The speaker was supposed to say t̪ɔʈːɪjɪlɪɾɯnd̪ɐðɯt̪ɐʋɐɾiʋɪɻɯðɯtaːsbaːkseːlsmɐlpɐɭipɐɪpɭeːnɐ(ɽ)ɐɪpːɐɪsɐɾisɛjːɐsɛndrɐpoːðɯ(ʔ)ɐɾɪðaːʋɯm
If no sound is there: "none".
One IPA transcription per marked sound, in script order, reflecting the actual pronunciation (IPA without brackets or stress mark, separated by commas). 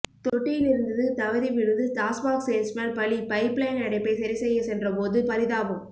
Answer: ɽ, p